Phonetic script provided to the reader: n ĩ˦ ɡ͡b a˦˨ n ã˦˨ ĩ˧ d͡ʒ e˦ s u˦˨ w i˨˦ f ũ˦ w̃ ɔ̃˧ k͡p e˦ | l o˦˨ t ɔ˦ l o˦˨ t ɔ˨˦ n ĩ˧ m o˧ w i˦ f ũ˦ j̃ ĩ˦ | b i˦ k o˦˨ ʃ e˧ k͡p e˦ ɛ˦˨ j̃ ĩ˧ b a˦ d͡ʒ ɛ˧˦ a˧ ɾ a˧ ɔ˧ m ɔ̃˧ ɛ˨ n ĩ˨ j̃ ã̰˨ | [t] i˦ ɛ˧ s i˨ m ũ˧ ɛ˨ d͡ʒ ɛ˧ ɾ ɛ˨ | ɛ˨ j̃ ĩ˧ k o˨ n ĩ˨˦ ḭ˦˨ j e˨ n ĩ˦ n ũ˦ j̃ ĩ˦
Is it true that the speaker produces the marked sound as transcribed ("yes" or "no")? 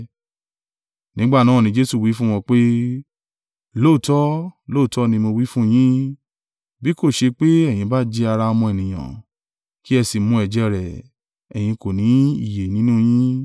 no